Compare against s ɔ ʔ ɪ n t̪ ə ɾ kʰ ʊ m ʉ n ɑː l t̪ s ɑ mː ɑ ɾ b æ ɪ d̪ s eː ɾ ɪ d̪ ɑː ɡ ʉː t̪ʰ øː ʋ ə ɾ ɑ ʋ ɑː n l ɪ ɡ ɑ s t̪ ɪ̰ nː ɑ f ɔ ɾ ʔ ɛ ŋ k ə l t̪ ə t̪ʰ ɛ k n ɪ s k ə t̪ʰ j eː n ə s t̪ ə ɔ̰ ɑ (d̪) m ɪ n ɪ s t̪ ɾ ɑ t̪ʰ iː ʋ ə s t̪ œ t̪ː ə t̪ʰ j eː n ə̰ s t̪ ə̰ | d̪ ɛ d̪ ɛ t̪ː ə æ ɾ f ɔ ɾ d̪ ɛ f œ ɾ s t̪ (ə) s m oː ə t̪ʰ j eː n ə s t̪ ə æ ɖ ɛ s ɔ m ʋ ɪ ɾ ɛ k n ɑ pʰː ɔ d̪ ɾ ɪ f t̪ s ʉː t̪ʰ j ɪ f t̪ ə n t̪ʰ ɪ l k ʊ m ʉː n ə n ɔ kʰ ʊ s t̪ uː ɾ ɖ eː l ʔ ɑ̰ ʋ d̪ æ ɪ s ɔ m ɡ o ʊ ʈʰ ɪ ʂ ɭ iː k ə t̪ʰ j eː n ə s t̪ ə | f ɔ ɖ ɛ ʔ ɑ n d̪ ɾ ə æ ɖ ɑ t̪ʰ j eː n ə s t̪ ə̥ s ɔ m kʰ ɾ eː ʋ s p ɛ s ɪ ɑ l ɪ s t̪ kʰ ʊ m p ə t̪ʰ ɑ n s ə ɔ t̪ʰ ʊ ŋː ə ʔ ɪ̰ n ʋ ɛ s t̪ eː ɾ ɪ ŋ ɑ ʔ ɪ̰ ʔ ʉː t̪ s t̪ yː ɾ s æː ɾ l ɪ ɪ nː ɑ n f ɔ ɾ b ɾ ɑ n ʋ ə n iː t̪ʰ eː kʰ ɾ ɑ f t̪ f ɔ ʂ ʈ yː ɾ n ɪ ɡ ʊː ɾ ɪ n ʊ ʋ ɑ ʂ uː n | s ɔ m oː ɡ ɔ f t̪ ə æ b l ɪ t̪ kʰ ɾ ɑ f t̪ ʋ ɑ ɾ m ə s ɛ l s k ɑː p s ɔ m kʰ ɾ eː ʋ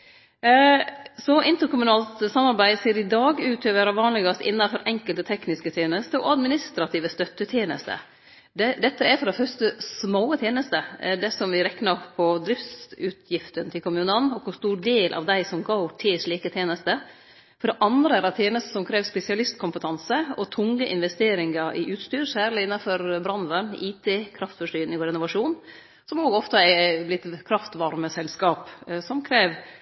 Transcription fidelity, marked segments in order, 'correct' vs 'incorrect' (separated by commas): correct, correct